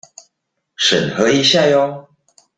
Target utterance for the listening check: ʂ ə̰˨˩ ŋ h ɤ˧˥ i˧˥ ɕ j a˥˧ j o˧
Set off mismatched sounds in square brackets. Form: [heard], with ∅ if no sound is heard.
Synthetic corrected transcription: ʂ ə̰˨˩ [n] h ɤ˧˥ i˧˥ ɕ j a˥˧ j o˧